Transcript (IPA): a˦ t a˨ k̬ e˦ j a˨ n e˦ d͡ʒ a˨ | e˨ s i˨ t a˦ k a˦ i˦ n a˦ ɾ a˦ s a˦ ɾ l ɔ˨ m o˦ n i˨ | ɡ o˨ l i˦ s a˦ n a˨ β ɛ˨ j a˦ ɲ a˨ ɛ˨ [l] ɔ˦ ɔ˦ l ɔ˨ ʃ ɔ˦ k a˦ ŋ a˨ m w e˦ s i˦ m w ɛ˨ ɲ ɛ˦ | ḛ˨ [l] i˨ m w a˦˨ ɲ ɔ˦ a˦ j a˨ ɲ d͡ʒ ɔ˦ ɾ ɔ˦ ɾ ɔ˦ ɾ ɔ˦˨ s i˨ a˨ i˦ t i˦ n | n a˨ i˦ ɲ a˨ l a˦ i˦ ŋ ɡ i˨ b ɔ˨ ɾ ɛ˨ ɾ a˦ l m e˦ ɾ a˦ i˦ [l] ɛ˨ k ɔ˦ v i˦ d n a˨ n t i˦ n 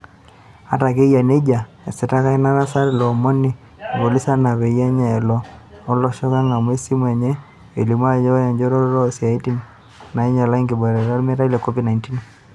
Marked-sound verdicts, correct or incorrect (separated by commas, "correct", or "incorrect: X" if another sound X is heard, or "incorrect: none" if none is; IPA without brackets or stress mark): correct, correct, correct